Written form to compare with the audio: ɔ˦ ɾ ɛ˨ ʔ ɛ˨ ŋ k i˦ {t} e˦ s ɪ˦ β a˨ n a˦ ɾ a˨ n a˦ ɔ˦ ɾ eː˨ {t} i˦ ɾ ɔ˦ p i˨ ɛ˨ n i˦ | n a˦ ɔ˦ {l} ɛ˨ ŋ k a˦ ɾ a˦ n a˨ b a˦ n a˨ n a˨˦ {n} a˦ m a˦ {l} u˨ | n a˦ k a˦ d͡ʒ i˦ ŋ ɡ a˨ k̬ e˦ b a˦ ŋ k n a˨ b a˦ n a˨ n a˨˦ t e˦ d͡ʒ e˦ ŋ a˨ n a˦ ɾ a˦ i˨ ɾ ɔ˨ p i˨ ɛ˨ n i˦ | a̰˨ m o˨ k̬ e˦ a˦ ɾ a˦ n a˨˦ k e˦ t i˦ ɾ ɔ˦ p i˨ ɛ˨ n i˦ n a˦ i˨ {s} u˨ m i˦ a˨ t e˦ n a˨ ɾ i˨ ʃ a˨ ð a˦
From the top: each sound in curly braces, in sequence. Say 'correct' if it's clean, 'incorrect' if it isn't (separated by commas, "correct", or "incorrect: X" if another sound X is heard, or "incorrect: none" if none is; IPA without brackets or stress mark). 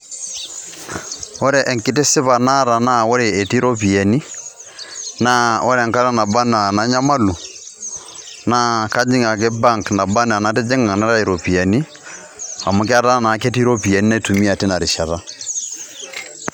correct, correct, incorrect: ɾ, incorrect: ɲ, correct, incorrect: t